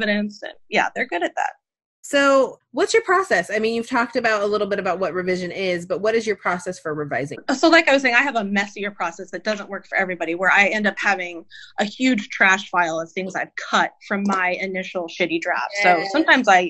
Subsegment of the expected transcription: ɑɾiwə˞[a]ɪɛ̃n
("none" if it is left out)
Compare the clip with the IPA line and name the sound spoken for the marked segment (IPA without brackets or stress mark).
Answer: a